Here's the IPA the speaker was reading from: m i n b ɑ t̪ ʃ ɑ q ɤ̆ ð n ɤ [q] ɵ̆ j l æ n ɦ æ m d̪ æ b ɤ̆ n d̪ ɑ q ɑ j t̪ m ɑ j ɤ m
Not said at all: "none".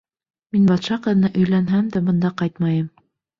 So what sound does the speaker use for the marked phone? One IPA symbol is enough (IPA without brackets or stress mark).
ʔ